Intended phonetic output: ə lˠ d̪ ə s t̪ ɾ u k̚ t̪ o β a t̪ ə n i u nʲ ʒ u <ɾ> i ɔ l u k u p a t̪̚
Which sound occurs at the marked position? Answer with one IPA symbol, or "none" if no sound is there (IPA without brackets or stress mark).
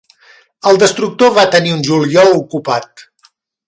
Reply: l